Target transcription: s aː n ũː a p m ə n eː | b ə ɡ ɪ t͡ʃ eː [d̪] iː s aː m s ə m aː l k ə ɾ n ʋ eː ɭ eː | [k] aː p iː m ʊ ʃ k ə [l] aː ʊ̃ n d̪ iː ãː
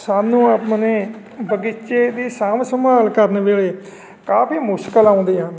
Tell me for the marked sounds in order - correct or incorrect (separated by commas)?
correct, correct, correct